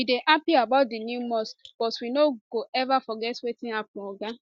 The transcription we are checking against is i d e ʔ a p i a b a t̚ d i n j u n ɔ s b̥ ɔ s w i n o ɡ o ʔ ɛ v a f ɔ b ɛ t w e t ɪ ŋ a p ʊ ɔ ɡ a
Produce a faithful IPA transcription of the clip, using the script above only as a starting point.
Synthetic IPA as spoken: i d e ʔ a p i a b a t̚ d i n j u m ɔ s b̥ ɔ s w i n o ɡ o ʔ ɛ v a f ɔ ɡ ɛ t w e t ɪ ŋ a p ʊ ɔ ɡ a